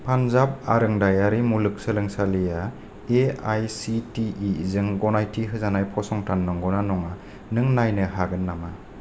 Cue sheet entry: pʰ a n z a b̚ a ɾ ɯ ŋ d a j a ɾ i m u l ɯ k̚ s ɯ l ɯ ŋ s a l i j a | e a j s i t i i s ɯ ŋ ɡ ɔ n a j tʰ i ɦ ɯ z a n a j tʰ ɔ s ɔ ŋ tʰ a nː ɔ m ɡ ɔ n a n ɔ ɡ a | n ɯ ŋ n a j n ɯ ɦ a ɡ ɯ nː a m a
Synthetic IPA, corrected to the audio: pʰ a n z a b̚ a ɾ ɯ ŋ d a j a ɾ i m u l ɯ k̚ s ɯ l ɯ ŋ s a l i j a | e a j s i t i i z ɯ ŋ ɡ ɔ n a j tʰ i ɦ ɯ z a n a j pʰ ɔ s ɔ ŋ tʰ a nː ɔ ŋ ɡ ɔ n a n ɔ ŋ a | n ɯ ŋ n a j n ɯ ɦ a ɡ ɯ nː a m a

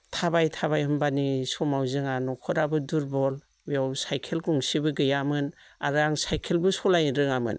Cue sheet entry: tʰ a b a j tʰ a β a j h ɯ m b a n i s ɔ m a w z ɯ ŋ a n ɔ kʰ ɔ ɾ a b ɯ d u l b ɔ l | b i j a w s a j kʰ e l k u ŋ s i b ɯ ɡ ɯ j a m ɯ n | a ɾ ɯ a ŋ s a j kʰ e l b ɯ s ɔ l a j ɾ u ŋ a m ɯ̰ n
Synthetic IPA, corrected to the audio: tʰ a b a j tʰ a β a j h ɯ m b a n i s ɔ m a w z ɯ ŋ a n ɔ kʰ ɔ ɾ a b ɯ d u ɾ b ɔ l | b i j a w s a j kʰ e l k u ŋ s i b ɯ ɡ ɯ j a m ɯ n | a ɾ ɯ a ŋ s a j kʰ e l b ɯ s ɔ l a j ɾ ɯ ŋ a m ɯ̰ n

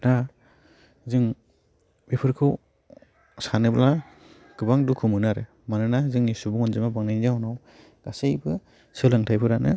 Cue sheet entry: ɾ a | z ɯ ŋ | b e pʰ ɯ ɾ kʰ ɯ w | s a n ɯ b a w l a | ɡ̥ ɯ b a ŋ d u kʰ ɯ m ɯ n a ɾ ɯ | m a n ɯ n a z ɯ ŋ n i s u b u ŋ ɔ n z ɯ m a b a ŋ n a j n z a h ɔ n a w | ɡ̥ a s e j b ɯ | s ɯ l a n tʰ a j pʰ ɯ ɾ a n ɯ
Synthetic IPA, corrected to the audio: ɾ a | z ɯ ŋ | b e pʰ ɯ ɾ kʰ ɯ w | s a n ɯ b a l a | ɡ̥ ɯ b a ŋ d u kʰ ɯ m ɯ n a ɾ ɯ | m a n ɯ n a z ɯ ŋ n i s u b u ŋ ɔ n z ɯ m a b a ŋ n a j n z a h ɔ n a w | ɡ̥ a s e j b ɯ | s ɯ l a ŋ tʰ a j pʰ ɯ ɾ a n ɯ

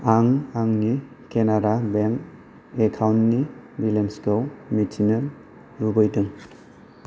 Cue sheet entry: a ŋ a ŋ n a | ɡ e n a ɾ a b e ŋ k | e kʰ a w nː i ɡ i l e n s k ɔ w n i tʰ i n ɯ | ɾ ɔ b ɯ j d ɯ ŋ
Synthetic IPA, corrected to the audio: a ŋ a ŋ n i | k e n a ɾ a b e ŋ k | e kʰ a w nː i b i l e n s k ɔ w m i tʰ i n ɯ | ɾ u b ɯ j d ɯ ŋ

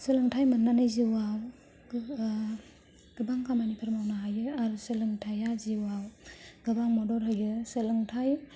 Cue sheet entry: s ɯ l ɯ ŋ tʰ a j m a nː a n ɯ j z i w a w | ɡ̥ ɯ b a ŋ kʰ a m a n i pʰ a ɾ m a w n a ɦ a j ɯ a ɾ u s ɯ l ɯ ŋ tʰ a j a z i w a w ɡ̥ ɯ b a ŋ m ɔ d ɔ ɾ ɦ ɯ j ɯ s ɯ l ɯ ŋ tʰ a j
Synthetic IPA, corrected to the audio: s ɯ l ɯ ŋ tʰ a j m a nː a n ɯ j z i w a w | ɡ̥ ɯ b a ŋ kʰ a m a n i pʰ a ɾ m a w n a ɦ a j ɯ a ɾ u s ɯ l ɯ ŋ tʰ a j a z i w a w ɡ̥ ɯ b a ŋ m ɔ d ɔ ɾ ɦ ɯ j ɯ s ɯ l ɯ ŋ tʰ a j

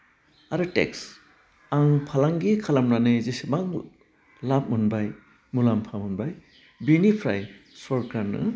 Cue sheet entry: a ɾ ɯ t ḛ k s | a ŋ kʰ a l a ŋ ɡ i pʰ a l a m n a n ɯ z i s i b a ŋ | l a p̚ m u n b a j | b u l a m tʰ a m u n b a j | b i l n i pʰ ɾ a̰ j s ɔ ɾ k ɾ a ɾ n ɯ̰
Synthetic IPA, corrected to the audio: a ɾ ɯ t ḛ k s | a ŋ pʰ a l a ŋ ɡ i kʰ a l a m n a n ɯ z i s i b a ŋ | l a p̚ m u n b a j | m u l a m pʰ a m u n b a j | b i n i pʰ ɾ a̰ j s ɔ ɾ k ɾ a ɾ n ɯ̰

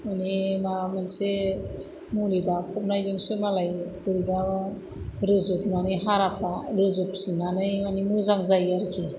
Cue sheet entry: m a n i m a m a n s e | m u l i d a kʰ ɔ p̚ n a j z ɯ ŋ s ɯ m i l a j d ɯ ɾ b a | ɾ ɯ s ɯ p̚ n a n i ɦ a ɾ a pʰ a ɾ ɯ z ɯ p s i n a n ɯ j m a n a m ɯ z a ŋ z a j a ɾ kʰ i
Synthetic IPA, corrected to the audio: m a n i m a m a n s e | m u l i d a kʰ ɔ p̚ n a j z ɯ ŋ s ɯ m a l a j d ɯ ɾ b a | ɾ ɯ z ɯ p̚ n a n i ɦ a ɾ a pʰ a ɾ ɯ z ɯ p s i n a n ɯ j m a n i m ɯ z a ŋ z a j a ɾ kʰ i

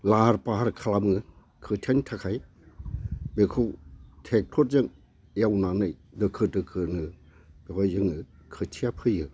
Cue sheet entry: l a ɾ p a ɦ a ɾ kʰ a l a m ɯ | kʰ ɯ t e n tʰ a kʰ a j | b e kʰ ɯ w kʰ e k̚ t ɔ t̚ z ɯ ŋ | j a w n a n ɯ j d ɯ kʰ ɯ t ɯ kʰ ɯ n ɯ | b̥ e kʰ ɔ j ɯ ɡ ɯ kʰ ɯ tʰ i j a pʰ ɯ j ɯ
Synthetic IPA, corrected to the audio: l a ɾ p a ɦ a ɾ kʰ a l a m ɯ | kʰ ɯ tʰ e n tʰ a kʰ a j | b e kʰ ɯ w tʰ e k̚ tʰ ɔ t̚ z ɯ ŋ | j a w n a n ɯ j d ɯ kʰ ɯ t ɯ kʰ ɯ n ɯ | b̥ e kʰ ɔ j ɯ ŋ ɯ kʰ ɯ tʰ i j a pʰ ɯ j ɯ

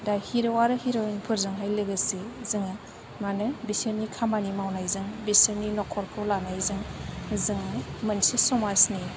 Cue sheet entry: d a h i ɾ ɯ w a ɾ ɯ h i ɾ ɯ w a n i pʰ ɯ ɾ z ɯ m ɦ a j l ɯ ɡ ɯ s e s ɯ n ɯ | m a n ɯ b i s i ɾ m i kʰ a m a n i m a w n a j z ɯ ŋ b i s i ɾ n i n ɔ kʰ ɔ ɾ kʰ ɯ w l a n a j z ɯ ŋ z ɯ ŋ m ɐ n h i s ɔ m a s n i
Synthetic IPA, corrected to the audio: d a h i ɾ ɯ w a ɾ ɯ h i ɾ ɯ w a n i pʰ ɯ ɾ z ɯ ŋ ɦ a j l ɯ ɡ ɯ s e z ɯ ŋ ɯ | m a n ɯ b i s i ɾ n i kʰ a m a n i m a w n a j z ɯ ŋ b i s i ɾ n i n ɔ kʰ ɔ ɾ kʰ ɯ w l a n a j z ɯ ŋ z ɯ ŋ m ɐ n s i s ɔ m a s n i

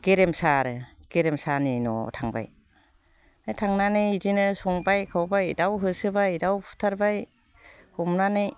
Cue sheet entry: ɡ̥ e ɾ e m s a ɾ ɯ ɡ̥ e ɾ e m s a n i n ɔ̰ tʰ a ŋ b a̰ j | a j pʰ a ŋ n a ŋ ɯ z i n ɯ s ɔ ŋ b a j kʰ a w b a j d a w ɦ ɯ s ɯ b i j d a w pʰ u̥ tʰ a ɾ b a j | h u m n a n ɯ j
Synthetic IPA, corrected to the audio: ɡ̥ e ɾ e m s a ɾ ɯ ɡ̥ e ɾ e m s a n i n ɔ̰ tʰ a ŋ b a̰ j | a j tʰ a ŋ n a n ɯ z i n ɯ s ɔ ŋ b a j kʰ a w b a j d a w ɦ ɯ s ɯ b a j d a w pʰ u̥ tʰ a ɾ b a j | h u m n a n ɯ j

